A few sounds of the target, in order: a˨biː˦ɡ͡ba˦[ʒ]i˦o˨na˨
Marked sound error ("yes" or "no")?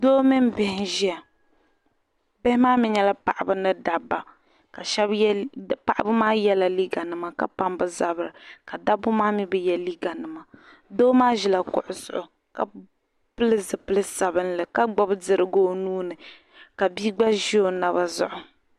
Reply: no